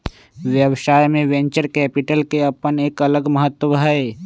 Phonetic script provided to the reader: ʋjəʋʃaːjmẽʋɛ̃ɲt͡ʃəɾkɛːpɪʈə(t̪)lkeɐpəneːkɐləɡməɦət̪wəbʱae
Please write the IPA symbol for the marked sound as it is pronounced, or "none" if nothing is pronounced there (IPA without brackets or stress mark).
none